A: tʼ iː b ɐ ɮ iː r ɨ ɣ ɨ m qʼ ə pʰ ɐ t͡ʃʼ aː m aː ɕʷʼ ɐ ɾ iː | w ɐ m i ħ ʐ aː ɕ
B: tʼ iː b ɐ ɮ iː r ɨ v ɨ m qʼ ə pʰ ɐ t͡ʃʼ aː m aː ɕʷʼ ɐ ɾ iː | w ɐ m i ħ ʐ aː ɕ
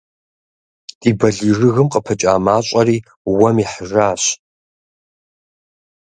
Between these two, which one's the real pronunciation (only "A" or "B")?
A